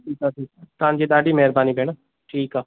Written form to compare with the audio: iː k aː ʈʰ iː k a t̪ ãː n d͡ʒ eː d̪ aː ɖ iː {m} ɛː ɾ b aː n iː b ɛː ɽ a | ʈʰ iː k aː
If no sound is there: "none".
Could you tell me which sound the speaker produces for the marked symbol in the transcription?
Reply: m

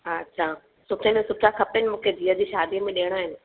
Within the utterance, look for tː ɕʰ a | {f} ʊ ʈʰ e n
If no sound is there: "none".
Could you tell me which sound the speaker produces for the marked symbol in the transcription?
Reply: s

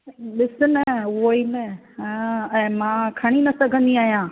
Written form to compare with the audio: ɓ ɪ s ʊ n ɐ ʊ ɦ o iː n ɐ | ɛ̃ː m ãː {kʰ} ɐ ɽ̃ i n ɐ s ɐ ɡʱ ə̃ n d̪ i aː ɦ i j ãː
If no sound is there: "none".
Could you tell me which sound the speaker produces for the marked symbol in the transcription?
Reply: kʰ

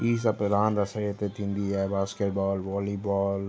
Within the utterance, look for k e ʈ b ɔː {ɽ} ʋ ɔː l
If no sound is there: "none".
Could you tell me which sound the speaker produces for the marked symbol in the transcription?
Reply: l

